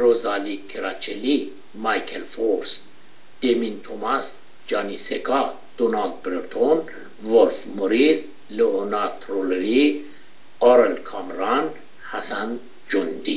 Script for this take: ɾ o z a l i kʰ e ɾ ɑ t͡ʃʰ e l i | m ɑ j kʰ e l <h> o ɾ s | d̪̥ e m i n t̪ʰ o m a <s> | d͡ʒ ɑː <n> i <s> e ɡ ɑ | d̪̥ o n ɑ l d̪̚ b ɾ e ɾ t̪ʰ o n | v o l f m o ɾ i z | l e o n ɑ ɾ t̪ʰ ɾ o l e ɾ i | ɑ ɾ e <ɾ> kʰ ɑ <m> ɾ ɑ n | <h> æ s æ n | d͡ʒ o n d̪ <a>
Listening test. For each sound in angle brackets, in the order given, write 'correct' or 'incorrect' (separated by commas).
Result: incorrect, correct, correct, correct, incorrect, correct, correct, incorrect